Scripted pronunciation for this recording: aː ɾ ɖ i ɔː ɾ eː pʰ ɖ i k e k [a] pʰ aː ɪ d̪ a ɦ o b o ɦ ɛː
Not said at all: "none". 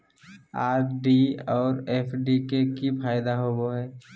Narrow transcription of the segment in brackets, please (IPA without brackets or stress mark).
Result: i